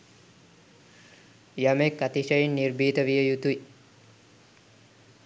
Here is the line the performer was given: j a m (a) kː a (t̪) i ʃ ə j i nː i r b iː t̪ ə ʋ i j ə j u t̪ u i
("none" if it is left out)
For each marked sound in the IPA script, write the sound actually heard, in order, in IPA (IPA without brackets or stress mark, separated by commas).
e, t̪